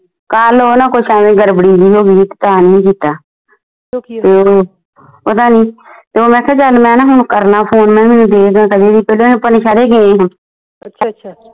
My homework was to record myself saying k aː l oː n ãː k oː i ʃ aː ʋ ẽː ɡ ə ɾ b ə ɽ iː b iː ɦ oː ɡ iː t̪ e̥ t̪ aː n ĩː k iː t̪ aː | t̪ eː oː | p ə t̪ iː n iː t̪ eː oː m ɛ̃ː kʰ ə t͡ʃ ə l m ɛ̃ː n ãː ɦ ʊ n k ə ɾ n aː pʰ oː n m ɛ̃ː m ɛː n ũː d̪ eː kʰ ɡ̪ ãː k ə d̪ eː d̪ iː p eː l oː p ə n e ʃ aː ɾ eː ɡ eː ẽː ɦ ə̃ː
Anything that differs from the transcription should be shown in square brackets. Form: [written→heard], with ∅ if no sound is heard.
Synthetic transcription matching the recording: k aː l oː n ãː k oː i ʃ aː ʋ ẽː ɡ ə ɾ b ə ɽ iː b iː ɦ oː ɡ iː t̪ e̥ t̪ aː n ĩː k iː t̪ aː | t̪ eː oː | p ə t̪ [iː→aː] n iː t̪ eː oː m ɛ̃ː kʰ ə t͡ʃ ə l m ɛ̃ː n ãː ɦ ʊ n k ə ɾ n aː pʰ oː n m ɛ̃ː m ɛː n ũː d̪ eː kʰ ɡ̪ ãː k ə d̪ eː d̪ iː p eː l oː p ə n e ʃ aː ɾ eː ɡ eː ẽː ɦ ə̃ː